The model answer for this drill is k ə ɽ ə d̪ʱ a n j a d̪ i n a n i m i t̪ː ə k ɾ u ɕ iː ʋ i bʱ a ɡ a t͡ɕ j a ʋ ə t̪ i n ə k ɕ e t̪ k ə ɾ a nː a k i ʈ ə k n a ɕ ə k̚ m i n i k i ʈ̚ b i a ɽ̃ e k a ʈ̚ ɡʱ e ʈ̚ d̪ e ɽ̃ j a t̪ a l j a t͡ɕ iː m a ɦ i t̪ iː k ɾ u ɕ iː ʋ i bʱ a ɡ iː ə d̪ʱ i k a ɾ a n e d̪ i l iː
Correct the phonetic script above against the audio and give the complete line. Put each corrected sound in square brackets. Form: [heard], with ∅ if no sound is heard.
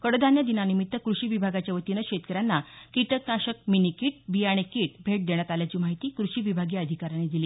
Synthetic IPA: k ə ɽ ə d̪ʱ a n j a d̪ i n a n i m i t̪ː ə k ɾ u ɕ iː ʋ i bʱ a ɡ a t͡ɕ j a ʋ ə t̪ i n ə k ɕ e t̪ k ə ɾ a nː a k i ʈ ə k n a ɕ ə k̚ m i n i k i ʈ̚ b i a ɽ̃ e k [i] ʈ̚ [bʱ] e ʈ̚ d̪ e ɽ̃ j a t̪ a l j a t͡ɕ iː m a ɦ i t̪ iː k ɾ u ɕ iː ʋ i bʱ a ɡ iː ə d̪ʱ i k a ɾ a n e d̪ i l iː

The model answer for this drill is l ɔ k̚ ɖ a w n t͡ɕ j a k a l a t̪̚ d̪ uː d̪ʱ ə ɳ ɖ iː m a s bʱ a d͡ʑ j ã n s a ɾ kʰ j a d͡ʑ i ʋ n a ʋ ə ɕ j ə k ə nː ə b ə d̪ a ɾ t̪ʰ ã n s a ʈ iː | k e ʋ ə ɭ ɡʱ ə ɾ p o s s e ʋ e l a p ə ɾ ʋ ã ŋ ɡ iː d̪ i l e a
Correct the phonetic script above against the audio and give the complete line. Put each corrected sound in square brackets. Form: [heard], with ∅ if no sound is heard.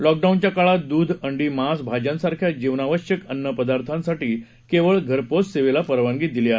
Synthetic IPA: l ɔ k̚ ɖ a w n t͡ɕ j a k a [ɭ] a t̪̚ d̪ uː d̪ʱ ə ɳ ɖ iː m a s bʱ a d͡ʑ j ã n s a ɾ kʰ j a d͡ʑ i ʋ n a ʋ ə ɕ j ə k ə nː ə [p] ə d̪ a ɾ t̪ʰ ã n s a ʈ iː | k e ʋ ə ɭ ɡʱ ə ɾ p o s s e ʋ e l a p ə ɾ ʋ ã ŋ ɡ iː d̪ i l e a

